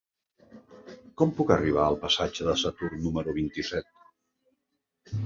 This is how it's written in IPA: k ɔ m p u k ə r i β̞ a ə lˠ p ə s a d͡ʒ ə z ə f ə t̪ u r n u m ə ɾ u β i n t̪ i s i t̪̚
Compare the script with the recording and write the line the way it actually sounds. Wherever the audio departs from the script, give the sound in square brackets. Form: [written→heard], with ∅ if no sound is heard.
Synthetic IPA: k ɔ m p u k ə r i β̞ a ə lˠ p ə s a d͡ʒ ə [z→ð] ə [f→s] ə t̪ u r n u m ə ɾ u β i n t̪ i s [i→ɛ] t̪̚